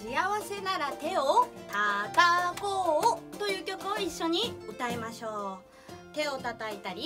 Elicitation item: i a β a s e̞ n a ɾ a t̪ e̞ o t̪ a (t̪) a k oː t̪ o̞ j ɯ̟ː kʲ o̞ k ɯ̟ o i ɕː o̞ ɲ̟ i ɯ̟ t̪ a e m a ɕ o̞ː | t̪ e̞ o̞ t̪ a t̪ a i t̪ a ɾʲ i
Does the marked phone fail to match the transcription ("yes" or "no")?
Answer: no